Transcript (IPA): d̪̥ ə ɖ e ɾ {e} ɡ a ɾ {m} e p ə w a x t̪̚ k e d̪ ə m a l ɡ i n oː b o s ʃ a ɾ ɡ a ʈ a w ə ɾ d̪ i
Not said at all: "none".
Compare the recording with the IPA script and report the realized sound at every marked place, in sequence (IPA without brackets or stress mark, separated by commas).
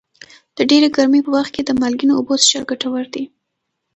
e, m